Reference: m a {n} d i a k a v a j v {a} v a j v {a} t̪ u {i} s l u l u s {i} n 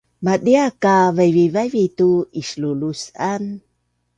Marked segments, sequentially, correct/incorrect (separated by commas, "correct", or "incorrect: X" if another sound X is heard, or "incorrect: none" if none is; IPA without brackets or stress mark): incorrect: none, incorrect: i, incorrect: i, correct, incorrect: a